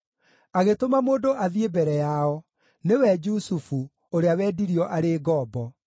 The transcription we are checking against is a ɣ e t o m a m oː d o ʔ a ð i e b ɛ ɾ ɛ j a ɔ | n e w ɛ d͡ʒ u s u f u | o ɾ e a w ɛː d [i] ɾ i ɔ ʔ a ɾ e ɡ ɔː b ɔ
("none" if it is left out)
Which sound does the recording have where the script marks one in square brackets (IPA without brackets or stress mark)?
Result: i